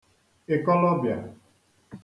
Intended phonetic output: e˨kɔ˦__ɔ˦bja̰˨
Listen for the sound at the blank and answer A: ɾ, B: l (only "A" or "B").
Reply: B